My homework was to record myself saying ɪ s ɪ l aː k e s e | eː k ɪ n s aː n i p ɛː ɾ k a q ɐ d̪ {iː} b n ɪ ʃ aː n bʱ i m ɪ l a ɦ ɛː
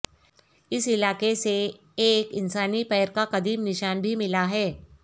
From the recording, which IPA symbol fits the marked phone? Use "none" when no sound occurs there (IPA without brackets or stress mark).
iː